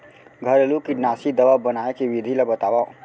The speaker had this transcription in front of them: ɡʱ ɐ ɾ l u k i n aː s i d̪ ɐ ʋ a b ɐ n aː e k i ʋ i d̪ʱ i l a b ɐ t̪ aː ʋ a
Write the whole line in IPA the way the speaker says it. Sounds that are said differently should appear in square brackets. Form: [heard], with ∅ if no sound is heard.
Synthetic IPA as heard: ɡʱ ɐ ɾ l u k i n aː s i d̪ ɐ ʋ a b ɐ n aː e k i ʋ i d̪ʱ i l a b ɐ t̪ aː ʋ a